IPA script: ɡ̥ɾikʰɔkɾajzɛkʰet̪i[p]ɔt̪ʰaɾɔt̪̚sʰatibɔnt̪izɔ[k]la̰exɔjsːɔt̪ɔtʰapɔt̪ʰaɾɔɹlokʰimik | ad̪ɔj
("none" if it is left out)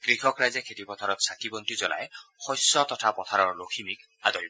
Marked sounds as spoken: p, none

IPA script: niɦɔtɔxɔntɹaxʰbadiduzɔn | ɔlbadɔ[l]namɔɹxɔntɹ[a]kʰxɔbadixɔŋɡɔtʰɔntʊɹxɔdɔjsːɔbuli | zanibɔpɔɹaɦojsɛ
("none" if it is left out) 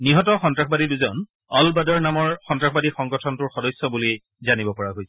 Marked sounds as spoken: ɹ, a

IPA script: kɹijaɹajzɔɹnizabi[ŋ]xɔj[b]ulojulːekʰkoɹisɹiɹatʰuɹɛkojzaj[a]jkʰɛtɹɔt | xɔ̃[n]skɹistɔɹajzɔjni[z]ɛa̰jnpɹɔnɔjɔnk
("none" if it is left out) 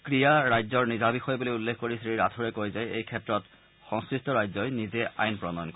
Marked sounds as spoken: none, b, e, ŋ, z

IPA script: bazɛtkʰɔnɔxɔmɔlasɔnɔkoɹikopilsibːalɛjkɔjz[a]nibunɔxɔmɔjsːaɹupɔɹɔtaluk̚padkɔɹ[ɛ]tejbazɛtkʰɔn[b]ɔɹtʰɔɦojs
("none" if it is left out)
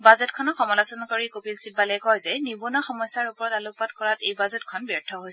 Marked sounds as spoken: ɛ, a, b

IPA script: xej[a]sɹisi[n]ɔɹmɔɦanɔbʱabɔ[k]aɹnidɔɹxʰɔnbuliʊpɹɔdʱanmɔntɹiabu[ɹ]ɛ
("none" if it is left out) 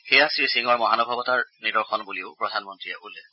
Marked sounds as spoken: a, ŋ, t, l

